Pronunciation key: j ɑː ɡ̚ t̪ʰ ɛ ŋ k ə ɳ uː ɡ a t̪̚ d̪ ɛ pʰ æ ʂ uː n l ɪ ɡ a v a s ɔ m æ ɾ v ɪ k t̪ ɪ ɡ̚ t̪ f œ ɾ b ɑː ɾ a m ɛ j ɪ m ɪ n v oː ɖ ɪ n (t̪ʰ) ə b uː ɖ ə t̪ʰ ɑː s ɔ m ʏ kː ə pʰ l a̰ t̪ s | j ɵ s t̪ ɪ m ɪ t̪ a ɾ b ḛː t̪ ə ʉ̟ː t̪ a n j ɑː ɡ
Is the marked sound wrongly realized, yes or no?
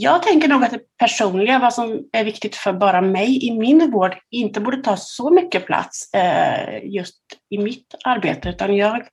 yes